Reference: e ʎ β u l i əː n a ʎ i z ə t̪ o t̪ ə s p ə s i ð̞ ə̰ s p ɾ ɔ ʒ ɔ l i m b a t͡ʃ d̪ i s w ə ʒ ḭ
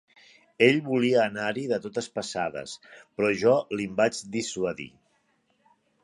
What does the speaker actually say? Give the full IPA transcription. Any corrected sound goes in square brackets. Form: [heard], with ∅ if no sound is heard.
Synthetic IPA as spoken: e ʎ β u l i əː n a [ɾ] i [ð] ə t̪ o t̪ ə s p ə s [a] ð̞ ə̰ s p ɾ ɔ ʒ ɔ l i m b a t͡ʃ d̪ i s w ə [ð] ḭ